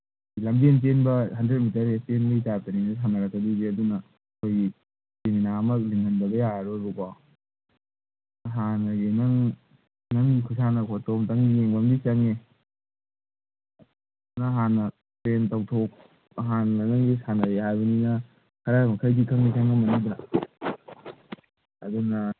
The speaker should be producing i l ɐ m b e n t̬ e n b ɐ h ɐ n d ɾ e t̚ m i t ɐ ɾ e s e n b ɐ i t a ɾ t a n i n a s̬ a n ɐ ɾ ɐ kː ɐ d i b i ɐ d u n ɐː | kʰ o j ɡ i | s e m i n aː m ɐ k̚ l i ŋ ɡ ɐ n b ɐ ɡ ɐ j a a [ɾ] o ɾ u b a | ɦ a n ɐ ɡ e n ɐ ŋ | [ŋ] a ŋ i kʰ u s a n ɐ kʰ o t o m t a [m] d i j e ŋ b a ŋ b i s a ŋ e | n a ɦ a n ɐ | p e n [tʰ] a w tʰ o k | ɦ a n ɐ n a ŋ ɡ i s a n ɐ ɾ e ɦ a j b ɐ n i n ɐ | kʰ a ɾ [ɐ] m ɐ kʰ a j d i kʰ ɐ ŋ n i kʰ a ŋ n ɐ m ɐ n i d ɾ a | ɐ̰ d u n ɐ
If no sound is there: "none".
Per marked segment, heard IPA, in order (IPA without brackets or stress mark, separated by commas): ɾ, n, ŋ, t, a